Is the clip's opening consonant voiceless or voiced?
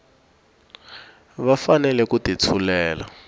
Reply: voiced